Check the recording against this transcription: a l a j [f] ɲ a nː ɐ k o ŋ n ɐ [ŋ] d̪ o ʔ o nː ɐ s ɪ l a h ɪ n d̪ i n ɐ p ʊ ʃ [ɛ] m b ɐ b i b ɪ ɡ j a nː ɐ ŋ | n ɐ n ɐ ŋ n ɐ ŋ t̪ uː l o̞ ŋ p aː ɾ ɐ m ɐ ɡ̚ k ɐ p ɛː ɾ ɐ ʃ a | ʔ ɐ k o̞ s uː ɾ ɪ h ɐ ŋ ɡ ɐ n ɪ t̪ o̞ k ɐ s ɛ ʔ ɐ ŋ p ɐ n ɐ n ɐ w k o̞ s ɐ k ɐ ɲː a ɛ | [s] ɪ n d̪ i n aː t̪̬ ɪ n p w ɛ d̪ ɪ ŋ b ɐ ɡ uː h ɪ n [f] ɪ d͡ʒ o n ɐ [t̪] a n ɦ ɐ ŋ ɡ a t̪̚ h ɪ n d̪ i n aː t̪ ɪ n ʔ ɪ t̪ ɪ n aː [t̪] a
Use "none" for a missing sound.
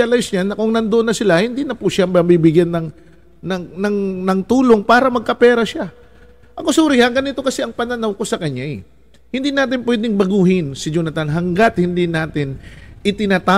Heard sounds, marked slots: s, n, a, h, s, t̪, t̪

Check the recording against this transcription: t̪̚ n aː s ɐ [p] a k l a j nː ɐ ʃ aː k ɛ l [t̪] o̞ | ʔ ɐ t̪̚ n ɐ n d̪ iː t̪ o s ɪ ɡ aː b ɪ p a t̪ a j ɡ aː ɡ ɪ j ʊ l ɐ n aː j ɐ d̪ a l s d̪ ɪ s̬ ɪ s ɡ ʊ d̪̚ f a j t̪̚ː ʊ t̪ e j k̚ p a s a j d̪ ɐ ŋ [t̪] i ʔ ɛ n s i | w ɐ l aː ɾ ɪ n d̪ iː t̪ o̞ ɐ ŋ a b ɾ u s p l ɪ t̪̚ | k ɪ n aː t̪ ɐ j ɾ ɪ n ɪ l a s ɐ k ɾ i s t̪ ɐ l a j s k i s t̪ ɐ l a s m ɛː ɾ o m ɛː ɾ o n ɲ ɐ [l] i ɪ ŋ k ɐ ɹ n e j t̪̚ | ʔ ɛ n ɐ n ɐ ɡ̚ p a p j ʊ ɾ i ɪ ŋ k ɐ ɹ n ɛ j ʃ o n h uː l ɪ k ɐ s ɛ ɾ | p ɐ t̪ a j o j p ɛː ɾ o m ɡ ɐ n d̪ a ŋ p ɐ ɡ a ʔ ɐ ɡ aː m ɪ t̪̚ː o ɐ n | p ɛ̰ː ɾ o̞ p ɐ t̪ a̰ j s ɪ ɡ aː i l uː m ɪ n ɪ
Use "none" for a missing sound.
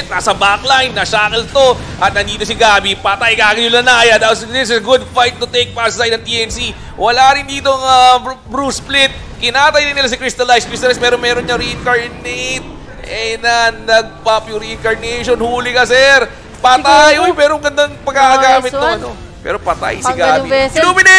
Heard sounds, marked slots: b, t̪, t̪, ɾ

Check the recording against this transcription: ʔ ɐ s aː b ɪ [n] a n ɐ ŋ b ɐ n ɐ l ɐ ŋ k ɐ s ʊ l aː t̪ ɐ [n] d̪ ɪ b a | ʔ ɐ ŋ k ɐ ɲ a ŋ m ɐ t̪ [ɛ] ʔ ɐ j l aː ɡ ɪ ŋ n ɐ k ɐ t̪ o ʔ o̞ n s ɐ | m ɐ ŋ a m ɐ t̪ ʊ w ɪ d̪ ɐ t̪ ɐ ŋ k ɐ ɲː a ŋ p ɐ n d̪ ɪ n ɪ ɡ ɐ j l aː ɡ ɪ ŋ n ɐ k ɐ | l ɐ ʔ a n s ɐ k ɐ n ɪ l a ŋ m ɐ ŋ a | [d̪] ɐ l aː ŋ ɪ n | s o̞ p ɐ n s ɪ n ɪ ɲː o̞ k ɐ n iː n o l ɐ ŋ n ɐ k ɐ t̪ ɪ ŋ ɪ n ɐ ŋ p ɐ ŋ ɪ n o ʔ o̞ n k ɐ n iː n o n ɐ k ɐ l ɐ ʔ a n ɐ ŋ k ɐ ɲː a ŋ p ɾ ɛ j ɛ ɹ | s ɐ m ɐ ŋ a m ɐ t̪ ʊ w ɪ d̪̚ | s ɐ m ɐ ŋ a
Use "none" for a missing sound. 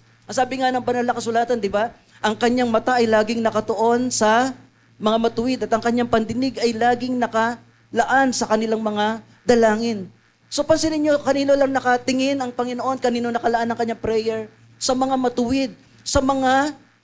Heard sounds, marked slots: ŋ, n, a, d̪

